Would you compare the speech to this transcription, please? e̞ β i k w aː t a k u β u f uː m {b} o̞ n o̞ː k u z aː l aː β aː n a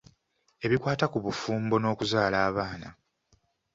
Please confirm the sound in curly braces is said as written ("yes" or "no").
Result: yes